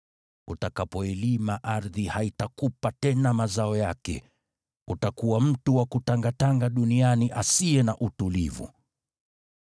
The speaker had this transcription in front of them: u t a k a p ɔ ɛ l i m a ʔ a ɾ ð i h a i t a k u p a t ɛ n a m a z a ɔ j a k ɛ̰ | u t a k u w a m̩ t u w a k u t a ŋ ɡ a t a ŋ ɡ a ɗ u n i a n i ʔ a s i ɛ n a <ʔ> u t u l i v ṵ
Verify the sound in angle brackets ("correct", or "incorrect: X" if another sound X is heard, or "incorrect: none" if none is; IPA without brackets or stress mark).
correct